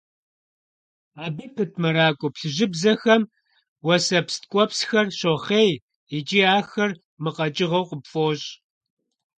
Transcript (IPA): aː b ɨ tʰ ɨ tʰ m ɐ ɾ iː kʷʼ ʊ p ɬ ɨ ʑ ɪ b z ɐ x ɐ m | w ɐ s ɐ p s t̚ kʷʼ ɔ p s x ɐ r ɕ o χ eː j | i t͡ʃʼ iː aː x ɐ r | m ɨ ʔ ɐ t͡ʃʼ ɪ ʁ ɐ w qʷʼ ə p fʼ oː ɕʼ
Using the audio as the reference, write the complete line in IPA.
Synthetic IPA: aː b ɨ pʰ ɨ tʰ m ɐ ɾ aː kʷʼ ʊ p ɬ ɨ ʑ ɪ b z ɐ x ɐ m | w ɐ s ɐ p s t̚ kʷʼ ɔ p s x ɐ r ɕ o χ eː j | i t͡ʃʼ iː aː x ɐ r | m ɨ q ɐ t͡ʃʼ ɪ ʁ ɐ w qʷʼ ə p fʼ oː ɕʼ